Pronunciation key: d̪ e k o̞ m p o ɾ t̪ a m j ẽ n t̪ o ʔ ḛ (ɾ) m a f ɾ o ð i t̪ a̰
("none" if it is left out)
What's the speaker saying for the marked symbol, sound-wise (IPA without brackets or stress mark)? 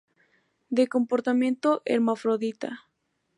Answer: ɾ